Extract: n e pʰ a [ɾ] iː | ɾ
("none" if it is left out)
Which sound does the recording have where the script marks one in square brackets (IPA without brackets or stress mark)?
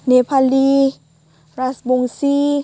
l